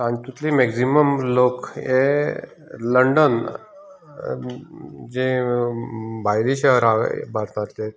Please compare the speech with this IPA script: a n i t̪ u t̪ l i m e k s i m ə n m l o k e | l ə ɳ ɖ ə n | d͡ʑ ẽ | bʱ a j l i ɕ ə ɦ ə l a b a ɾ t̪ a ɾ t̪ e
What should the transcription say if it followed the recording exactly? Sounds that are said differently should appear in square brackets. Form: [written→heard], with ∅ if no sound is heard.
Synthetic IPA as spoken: a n i t̪ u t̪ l i m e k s i m ə [n→∅] m l o k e | l ə ɳ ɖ ə n | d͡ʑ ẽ | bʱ a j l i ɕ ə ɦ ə [l→ɾ] a b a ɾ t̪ a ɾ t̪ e